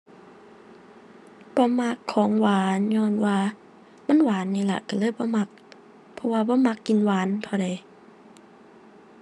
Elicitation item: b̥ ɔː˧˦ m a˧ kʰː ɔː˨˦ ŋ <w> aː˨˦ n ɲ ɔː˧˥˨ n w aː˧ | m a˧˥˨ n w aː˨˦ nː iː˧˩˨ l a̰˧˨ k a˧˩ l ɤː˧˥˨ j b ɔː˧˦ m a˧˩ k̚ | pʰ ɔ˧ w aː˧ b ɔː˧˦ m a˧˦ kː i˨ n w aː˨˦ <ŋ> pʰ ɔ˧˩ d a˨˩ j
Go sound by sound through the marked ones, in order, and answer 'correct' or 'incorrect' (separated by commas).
correct, incorrect